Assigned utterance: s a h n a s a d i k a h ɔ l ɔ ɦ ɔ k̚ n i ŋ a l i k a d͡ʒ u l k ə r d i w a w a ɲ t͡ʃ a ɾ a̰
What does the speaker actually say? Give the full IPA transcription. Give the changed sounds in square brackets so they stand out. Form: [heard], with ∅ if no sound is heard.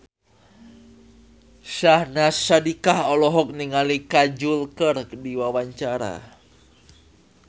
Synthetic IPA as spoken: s a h n a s a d i k a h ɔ l ɔ ɦ ɔ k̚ n i ŋ a l i k a d͡ʒ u l k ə r d i w a w a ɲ t͡ʃ a ɾ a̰